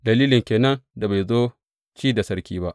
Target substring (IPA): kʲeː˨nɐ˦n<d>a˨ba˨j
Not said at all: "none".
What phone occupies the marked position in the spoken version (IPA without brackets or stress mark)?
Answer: d